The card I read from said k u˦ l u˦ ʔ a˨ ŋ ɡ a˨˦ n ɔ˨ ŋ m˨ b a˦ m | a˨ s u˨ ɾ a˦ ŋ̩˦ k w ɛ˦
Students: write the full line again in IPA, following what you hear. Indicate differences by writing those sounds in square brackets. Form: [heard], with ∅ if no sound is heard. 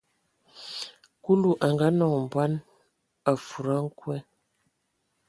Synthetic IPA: k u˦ l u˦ ʔ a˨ ŋ ɡ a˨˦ n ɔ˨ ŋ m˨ b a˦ [n] | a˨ [f] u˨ ɾ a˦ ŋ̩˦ k w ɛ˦